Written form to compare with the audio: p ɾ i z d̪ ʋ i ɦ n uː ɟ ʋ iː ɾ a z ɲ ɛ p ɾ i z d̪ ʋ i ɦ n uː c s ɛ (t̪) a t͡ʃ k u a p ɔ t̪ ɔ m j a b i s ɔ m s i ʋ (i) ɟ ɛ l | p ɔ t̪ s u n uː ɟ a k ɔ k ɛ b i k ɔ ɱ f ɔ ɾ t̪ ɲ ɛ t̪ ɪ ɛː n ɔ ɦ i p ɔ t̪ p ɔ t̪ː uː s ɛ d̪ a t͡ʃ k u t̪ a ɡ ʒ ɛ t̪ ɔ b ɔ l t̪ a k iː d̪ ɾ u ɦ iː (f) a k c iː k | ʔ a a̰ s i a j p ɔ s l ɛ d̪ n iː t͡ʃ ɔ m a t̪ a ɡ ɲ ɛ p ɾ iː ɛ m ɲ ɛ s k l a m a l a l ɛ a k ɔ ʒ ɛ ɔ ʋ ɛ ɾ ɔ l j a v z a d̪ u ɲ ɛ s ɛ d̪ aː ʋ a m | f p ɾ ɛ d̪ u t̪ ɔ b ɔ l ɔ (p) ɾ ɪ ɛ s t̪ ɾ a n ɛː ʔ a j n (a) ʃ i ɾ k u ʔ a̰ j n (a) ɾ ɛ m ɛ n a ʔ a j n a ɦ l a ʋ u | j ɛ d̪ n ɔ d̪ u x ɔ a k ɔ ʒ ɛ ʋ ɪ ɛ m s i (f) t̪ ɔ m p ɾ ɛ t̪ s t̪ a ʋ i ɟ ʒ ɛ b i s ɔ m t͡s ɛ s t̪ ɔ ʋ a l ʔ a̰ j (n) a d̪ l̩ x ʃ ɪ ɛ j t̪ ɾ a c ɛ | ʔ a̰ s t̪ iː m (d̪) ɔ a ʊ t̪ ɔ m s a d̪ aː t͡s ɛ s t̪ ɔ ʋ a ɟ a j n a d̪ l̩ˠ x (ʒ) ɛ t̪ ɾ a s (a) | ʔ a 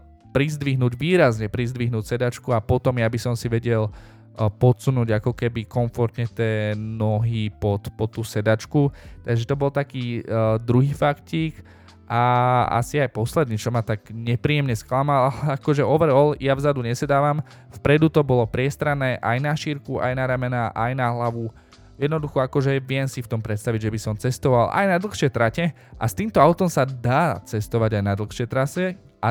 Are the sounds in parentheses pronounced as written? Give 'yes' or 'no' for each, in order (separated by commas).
no, no, yes, yes, yes, yes, yes, yes, no, no, no